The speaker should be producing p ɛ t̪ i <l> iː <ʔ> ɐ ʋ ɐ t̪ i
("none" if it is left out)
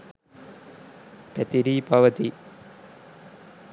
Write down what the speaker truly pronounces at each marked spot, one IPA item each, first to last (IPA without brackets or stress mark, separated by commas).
ɾ, p